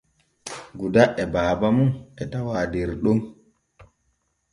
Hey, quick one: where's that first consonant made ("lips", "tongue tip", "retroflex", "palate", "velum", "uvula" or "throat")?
velum